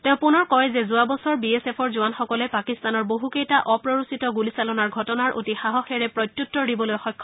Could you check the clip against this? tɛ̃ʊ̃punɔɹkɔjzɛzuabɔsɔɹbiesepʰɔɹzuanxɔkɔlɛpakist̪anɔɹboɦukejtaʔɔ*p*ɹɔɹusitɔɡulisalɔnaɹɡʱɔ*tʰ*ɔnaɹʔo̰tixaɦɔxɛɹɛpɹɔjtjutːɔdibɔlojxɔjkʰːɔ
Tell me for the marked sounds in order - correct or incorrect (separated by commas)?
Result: correct, incorrect